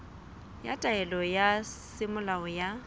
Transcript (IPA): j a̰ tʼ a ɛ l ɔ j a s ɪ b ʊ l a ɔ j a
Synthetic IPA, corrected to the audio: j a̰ tʼ a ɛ l ɔ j a s ɪ m ʊ l a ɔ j a